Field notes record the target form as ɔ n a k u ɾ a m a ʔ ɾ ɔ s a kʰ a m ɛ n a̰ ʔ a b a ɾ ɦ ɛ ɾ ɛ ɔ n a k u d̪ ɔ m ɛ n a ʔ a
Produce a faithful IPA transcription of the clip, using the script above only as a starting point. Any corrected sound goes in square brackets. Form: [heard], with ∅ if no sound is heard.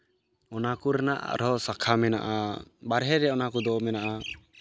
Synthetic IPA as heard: ɔ n a k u ɾ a [n] a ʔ ɾ ɔ s a kʰ a m ɛ n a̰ ʔ a b a ɾ ɦ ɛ ɾ ɛ ɔ n a k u d̪ ɔ m ɛ n a ʔ a